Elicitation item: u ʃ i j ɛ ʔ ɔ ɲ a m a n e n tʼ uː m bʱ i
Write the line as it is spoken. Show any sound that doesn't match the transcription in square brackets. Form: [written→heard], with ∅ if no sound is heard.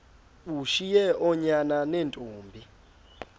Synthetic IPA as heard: u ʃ i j ɛ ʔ ɔ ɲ a [m→n] a n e n tʼ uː m bʱ i